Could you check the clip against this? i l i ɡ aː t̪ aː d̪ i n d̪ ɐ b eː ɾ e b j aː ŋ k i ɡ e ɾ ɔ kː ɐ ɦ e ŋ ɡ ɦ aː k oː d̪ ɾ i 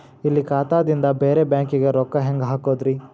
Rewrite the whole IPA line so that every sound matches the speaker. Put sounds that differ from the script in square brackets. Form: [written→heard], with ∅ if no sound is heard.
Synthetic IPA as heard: i [l→lː] i [ɡ→k] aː t̪ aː d̪ i n d̪ ɐ b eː ɾ e b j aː ŋ k i ɡ e ɾ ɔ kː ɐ ɦ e ŋ ɡ ɦ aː k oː d̪ ɾ i